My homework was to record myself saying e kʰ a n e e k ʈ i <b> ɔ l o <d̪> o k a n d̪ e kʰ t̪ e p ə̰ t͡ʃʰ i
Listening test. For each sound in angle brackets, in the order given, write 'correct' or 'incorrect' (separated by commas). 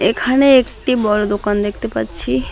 correct, correct